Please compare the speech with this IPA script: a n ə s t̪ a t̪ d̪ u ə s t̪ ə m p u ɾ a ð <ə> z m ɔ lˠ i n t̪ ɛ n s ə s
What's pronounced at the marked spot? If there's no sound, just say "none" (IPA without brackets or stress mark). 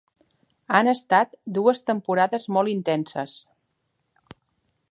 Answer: ə